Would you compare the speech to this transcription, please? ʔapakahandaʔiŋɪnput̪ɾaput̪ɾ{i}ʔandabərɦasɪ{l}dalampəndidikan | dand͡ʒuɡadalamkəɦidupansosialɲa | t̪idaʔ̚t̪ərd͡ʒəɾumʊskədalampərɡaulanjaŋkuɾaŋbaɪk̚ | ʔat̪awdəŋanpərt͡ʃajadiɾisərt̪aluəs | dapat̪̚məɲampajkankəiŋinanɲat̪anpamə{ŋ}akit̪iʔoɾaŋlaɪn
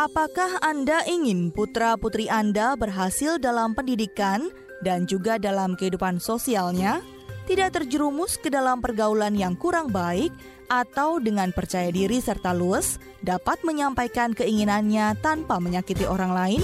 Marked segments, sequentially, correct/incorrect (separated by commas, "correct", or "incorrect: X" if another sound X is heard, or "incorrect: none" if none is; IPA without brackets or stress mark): correct, correct, incorrect: ɲ